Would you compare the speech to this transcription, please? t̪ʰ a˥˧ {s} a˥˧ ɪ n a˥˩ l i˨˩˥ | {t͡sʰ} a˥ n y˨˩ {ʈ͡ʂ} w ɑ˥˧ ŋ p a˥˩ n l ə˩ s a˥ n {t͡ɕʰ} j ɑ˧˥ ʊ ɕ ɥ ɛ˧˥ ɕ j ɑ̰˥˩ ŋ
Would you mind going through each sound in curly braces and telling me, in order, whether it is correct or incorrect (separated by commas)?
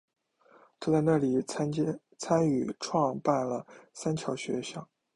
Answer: incorrect, correct, incorrect, correct